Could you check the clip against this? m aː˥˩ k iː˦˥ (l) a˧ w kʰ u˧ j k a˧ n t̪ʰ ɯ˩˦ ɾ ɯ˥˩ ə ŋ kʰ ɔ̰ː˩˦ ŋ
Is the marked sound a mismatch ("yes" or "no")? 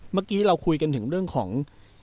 yes